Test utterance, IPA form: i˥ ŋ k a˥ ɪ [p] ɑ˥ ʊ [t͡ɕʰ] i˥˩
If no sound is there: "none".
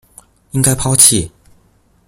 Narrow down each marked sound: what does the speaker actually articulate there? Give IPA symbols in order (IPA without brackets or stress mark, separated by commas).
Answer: pʰ, t͡ɕʰ